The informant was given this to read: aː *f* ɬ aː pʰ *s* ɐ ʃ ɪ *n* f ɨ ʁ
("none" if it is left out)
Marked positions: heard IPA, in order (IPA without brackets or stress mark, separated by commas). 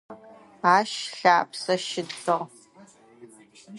ʃ, s, d